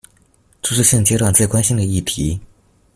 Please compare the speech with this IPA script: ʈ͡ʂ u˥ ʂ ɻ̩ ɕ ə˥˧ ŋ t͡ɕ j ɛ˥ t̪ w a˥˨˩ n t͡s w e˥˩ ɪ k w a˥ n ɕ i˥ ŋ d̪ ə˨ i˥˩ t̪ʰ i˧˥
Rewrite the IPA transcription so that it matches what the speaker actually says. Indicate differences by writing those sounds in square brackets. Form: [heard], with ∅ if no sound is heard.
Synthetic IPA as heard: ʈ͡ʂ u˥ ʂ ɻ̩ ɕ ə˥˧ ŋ t͡ɕ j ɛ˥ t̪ w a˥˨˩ n t͡s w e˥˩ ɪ k w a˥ n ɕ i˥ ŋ d̪ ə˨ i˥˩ t̪ʰ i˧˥